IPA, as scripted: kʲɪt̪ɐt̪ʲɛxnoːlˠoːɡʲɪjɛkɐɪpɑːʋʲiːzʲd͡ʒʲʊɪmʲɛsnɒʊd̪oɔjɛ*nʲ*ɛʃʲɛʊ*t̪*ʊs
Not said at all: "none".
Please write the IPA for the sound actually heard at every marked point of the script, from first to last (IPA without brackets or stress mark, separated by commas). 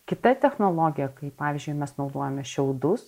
mʲ, d̪